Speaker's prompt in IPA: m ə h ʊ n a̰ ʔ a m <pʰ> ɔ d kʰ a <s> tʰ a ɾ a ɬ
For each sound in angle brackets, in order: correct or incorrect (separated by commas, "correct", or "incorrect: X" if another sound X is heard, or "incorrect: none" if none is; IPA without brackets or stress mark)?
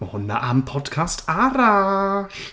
correct, correct